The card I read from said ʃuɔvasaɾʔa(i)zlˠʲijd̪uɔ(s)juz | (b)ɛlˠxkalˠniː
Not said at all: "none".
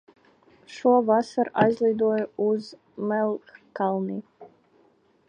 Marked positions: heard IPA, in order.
j, none, m

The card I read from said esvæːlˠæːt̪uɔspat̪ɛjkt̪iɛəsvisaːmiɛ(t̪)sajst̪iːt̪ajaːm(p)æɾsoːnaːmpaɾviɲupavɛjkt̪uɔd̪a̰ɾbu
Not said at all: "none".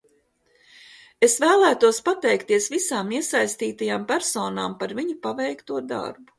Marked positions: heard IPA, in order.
none, p

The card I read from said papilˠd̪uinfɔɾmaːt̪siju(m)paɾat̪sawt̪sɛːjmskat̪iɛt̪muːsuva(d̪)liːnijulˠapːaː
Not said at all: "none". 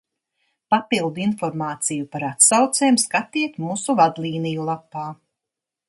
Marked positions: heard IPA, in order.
none, d̪

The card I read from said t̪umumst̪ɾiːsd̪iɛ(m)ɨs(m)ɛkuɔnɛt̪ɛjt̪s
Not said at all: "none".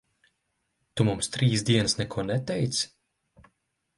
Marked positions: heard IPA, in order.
n, n

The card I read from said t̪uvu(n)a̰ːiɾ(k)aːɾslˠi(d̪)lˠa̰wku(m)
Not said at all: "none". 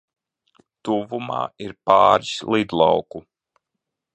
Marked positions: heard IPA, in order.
m, p, d̪, none

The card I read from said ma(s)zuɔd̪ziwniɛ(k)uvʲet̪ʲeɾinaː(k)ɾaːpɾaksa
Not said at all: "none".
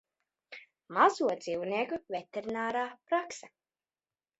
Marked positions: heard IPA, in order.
none, k, none

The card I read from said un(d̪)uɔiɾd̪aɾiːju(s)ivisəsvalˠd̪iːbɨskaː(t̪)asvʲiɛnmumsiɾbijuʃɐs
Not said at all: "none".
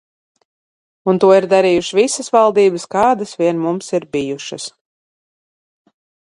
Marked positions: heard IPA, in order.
t̪, ʃ, d̪

